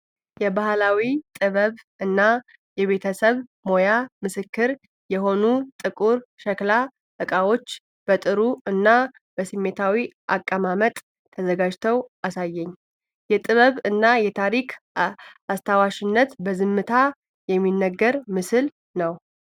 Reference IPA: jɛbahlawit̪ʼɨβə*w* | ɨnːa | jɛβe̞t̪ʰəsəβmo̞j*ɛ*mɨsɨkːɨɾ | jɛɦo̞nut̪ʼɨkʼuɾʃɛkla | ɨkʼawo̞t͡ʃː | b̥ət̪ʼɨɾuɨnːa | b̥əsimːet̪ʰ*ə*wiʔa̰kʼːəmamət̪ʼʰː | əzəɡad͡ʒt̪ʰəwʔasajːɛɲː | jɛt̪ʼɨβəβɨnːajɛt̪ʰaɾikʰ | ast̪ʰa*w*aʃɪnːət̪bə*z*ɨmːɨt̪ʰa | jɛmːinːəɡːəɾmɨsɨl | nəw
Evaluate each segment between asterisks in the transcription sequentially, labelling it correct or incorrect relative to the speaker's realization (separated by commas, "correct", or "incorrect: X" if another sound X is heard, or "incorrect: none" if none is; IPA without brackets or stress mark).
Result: incorrect: β, incorrect: a, incorrect: a, correct, correct